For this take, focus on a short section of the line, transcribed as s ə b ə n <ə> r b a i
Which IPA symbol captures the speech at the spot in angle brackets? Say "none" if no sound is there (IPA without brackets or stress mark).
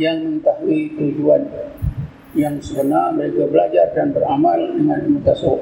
a